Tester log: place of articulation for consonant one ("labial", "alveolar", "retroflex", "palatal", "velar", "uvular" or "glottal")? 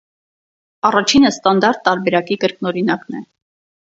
alveolar